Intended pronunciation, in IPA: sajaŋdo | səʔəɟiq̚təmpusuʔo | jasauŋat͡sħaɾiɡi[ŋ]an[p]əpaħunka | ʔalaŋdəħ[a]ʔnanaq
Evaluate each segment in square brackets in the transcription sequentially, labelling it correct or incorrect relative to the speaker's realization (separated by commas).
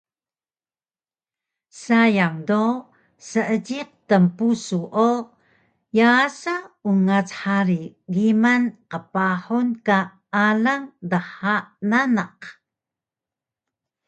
incorrect, incorrect, correct